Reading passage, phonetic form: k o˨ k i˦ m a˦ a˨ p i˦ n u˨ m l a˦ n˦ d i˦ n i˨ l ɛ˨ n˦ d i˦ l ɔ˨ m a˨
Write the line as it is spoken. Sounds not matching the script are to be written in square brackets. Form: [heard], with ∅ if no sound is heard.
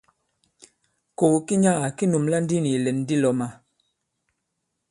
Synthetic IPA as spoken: k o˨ k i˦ [ɲ] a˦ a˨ [k] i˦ n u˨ m l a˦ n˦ d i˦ n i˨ l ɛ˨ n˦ d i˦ l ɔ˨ m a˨